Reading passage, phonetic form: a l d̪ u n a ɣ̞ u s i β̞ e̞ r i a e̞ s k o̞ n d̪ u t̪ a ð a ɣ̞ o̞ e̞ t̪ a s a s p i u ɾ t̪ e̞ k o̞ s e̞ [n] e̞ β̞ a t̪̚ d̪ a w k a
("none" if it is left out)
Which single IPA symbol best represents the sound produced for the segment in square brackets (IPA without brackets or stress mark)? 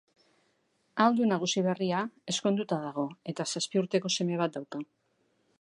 m